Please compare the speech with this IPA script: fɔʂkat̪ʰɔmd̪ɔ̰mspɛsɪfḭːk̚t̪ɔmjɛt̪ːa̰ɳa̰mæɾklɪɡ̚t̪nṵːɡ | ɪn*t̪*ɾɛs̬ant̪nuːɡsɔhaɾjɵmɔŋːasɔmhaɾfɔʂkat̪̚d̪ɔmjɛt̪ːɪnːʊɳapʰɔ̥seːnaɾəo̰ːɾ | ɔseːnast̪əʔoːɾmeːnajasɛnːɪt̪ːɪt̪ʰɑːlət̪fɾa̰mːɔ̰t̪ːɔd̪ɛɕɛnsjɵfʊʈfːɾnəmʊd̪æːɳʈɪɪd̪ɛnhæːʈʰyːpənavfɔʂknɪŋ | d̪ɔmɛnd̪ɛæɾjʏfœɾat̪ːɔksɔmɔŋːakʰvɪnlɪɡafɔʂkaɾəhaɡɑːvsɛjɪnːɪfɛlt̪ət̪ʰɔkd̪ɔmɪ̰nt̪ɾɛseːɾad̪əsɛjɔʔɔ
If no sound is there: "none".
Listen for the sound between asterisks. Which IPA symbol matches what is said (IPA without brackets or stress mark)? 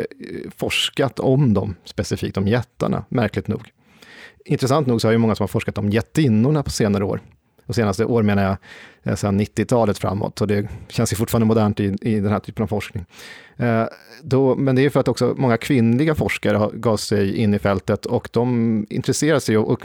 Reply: t̪